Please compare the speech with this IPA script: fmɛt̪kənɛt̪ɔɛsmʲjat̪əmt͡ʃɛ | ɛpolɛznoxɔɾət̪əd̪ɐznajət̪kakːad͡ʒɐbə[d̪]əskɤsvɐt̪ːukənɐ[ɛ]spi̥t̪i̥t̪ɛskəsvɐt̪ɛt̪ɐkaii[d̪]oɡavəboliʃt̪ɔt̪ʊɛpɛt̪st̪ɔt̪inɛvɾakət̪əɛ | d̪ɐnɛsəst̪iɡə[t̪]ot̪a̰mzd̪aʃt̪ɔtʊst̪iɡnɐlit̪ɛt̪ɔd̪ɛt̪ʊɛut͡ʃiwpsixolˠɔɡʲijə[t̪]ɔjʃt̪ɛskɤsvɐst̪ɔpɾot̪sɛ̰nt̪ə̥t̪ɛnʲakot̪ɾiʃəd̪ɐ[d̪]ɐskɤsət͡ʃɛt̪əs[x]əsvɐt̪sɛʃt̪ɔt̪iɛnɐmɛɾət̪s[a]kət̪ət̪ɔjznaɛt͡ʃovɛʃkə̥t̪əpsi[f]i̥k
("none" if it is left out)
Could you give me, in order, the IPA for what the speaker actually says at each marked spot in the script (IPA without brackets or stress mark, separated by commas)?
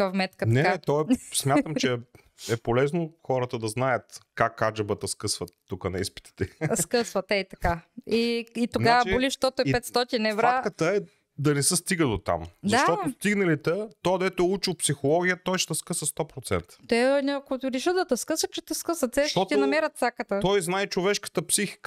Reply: t̪, i, t̪, d̪, t̪, t̪, k, a, x